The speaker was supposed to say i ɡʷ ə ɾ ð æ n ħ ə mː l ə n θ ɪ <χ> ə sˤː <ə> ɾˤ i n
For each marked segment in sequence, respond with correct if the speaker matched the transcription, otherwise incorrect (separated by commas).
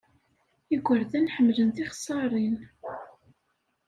correct, incorrect